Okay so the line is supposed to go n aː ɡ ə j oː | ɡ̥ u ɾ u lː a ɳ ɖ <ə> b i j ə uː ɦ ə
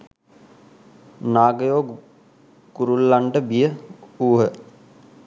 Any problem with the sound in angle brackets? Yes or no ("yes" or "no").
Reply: no